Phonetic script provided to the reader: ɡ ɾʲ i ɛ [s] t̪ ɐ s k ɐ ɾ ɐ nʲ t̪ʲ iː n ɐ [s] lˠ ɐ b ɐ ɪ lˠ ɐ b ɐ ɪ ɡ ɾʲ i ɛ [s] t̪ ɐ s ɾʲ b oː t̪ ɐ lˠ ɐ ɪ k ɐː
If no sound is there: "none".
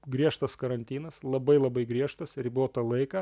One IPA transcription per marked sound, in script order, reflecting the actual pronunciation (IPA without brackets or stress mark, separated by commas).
ʃ, s, ʃ